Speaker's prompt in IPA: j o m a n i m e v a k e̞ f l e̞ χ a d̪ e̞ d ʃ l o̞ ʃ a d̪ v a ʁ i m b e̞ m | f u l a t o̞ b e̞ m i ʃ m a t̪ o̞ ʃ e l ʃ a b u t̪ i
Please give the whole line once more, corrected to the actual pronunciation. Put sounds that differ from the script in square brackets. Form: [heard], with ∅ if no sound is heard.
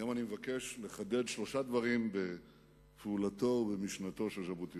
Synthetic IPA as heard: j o m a n i m e v a k e̞ [ʃ] l e̞ χ a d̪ e̞ d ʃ l o̞ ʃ a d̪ v a ʁ i m b e̞ [∅] | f u l a t o̞ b e̞ m i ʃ [n] a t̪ o̞ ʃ e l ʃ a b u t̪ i